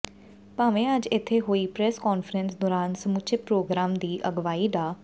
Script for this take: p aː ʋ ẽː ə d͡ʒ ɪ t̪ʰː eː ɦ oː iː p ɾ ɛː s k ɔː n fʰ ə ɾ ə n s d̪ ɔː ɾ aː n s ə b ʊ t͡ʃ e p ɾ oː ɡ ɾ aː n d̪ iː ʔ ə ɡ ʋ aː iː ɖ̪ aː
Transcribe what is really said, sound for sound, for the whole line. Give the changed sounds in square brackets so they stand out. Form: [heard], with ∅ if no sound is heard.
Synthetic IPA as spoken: p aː ʋ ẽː ə d͡ʒ ɪ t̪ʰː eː ɦ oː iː p ɾ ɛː s k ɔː n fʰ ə ɾ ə n s d̪ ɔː ɾ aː n s ə [m] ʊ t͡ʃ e p ɾ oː ɡ ɾ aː [m] d̪ iː ʔ ə ɡ ʋ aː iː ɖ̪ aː